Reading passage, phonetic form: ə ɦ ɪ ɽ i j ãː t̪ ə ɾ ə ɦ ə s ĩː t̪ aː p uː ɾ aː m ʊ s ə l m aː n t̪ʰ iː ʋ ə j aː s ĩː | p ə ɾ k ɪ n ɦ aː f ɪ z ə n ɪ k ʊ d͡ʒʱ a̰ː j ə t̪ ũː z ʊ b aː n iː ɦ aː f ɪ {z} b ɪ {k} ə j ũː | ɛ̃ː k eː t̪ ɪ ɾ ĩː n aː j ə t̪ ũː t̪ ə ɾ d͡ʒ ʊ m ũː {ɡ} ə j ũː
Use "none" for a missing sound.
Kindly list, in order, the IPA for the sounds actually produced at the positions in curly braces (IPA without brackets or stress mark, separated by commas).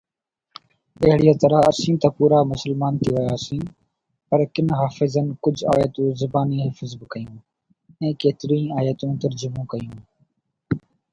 z, k, k